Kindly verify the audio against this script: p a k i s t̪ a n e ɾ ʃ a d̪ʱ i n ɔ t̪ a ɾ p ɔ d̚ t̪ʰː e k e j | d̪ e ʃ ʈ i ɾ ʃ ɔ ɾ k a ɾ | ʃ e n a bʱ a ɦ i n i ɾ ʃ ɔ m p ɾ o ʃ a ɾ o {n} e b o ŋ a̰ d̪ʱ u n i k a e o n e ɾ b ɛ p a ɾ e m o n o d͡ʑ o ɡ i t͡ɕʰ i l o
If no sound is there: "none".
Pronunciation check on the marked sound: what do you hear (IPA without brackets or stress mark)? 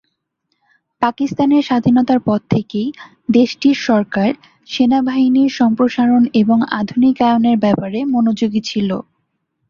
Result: n